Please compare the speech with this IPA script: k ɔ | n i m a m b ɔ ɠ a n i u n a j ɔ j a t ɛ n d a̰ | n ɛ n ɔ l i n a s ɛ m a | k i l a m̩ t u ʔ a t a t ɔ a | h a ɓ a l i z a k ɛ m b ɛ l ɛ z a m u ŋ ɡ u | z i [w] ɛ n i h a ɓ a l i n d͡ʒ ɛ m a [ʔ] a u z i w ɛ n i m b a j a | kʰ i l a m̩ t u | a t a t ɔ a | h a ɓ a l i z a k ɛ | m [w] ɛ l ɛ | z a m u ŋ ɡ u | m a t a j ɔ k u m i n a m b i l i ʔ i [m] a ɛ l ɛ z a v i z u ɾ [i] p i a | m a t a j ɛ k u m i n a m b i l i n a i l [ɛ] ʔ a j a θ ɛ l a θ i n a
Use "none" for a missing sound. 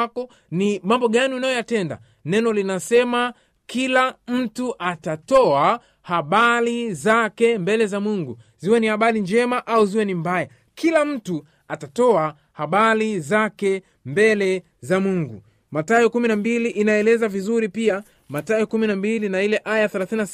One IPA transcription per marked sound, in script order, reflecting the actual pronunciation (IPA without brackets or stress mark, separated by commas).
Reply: w, ʔ, b, n, i, ɛ